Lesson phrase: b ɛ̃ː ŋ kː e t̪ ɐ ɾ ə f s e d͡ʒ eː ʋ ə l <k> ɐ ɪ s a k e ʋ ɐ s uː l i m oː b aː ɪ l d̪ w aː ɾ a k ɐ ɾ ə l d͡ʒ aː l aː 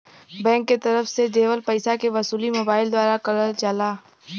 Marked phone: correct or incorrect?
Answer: incorrect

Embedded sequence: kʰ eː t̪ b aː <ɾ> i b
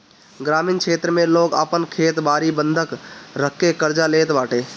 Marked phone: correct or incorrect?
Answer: correct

